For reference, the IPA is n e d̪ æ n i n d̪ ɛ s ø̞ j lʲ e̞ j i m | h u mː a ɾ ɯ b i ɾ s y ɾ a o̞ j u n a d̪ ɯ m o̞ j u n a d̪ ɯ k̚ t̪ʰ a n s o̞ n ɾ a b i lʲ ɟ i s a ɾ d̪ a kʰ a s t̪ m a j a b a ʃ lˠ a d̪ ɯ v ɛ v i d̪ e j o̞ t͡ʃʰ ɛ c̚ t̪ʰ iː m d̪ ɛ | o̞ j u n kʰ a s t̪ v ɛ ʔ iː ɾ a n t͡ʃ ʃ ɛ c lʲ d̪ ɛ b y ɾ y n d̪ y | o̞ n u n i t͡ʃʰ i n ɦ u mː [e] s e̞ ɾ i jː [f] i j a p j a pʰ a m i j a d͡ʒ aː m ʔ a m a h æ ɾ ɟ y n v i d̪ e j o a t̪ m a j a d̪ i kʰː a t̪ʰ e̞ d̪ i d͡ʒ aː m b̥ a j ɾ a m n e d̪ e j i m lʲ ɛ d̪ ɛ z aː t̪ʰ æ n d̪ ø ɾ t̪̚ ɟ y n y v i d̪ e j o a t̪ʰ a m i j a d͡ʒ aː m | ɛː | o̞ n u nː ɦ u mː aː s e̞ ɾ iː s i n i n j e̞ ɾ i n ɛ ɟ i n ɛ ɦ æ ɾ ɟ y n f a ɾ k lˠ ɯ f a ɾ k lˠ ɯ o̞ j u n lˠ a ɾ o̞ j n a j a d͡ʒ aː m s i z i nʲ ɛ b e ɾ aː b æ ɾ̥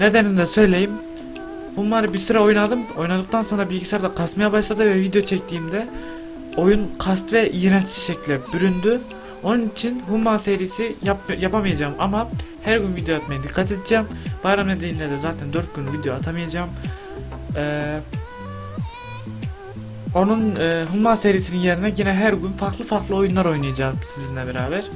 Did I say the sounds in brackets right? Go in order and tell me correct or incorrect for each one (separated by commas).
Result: incorrect, incorrect